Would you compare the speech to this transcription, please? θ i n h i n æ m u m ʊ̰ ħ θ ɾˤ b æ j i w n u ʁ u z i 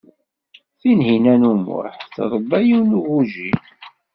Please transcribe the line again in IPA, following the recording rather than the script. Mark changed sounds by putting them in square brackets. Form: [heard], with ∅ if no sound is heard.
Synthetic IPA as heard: θ i n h i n æ [n] u m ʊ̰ ħ θ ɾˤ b æ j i w n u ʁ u [ʒ] i